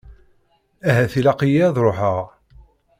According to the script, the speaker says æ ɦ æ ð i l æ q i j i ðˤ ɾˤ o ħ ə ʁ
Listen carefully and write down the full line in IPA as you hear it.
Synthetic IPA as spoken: æ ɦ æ θ i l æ q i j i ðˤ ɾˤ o ħ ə ʁ